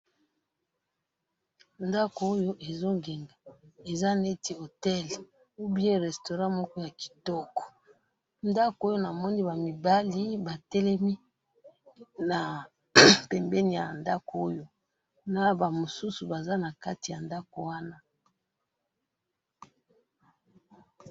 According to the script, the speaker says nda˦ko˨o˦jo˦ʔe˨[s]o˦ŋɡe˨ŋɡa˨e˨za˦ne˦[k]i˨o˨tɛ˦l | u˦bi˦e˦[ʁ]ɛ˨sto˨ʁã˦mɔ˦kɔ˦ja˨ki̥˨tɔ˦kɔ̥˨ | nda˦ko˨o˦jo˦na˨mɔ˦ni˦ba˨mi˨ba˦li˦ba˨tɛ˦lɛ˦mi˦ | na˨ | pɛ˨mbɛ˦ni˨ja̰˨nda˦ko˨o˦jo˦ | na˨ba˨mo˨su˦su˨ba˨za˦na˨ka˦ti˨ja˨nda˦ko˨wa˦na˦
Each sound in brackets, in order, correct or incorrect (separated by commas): incorrect, incorrect, correct